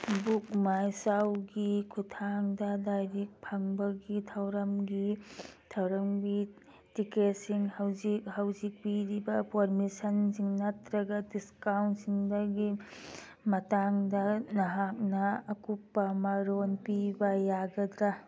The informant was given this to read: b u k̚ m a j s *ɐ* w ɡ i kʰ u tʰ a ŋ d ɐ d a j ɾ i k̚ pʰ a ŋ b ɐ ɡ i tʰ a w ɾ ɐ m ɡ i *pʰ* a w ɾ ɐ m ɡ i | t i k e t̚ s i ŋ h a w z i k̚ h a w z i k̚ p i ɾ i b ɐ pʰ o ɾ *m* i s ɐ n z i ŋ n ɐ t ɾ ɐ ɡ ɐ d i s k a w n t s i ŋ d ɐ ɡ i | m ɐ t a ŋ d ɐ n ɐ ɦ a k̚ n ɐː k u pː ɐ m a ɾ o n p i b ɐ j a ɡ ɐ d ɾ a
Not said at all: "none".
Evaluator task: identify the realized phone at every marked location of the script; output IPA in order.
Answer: a, tʰ, m

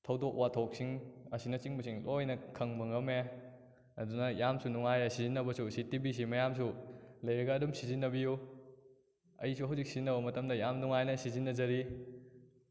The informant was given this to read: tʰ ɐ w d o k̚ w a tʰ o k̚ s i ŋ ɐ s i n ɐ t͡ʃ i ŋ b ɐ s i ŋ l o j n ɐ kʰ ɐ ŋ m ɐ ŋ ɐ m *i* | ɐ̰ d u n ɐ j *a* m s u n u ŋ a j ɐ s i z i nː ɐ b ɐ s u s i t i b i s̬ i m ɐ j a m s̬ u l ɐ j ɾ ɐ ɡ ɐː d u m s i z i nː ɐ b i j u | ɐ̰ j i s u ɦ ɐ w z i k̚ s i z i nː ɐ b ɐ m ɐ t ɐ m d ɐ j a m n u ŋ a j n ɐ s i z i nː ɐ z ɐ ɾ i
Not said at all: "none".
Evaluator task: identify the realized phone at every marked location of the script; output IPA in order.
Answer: e, a

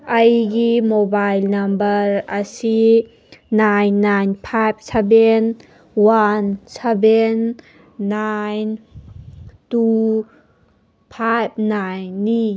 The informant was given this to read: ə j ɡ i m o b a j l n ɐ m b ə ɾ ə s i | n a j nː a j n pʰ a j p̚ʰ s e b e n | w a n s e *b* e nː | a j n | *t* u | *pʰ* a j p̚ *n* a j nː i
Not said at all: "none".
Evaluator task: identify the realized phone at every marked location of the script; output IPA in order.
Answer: b, t, pʰ, n

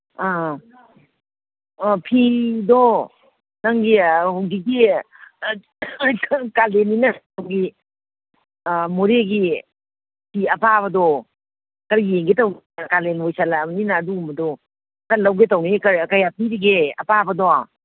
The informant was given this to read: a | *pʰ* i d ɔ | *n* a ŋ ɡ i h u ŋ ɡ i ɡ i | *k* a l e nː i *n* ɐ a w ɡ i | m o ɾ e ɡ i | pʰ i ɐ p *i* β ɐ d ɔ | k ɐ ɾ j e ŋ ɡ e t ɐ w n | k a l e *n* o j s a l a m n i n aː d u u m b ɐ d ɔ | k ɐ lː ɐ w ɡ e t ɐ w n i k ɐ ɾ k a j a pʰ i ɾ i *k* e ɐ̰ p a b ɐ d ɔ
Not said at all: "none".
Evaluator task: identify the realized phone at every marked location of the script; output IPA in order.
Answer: pʰ, n, k, n, a, n, ɡ

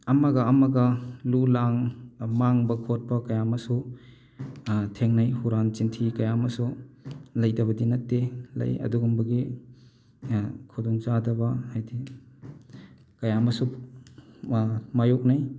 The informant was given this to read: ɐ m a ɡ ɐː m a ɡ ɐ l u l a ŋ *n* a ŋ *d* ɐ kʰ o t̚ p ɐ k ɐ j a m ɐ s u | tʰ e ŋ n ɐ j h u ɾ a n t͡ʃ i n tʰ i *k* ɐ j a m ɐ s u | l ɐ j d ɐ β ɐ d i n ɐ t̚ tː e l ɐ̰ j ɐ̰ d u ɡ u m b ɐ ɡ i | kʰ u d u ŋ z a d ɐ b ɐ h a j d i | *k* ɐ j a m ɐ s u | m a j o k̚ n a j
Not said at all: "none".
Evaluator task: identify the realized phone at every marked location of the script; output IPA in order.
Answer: m, b, k, k

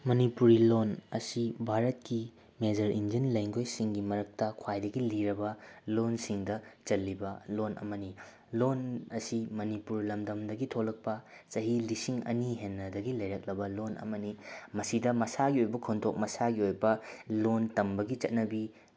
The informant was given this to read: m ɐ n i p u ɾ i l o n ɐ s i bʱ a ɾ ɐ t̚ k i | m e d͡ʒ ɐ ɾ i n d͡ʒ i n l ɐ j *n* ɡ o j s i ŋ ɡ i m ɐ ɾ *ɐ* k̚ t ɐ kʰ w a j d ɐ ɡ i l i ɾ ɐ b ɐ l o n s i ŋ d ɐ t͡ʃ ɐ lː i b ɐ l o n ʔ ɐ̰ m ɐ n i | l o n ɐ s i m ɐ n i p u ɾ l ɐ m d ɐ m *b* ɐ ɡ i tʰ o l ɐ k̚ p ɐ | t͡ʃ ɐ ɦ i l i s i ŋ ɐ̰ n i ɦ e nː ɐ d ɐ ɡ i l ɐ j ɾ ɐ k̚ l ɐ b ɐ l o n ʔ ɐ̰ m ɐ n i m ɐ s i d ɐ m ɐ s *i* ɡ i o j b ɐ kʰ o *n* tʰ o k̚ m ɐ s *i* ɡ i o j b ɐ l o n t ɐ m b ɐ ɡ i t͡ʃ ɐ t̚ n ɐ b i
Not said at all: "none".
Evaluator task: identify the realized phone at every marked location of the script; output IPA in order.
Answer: ŋ, ɐ, d, a, n, a

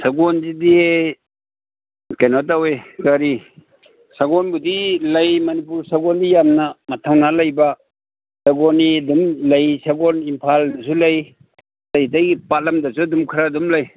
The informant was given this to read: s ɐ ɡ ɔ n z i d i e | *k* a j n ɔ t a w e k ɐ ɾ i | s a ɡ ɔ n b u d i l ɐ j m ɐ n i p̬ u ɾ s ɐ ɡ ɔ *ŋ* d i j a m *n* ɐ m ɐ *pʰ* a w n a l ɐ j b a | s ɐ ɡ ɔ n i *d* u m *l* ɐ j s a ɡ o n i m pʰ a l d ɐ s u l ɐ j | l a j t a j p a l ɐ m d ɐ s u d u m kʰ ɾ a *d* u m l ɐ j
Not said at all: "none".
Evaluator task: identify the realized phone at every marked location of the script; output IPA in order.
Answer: k, n, n, tʰ, d, l, d

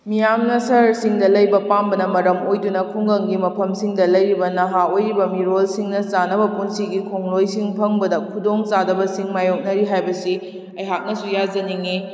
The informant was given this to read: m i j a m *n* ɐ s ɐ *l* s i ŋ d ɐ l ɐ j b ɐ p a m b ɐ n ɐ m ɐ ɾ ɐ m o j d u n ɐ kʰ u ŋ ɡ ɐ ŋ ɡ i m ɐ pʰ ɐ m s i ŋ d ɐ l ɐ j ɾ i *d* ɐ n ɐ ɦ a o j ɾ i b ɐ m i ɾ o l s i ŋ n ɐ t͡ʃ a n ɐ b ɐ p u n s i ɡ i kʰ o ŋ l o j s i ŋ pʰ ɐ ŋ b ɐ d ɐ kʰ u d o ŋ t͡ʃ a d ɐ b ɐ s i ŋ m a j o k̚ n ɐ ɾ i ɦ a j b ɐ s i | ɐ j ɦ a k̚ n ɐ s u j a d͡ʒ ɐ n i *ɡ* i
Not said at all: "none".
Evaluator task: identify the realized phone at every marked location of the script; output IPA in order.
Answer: n, ɾ, b, ŋ

